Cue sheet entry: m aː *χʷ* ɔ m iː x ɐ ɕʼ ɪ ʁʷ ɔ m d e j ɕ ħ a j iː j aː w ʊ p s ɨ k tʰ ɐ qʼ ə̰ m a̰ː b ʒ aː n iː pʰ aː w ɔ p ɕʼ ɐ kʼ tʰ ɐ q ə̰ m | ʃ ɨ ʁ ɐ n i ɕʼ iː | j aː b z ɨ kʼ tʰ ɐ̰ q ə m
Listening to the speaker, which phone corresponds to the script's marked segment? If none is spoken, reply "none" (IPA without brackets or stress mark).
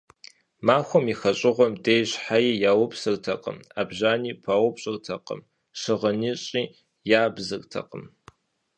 xʷ